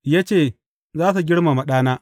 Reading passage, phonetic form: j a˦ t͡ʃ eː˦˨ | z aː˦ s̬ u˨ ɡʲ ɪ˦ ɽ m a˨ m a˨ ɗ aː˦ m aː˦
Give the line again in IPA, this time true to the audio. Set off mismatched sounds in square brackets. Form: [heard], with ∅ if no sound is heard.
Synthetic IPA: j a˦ t͡ʃ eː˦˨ | z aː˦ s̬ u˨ ɡʲ ɪ˦ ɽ m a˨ m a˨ ɗ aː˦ [n] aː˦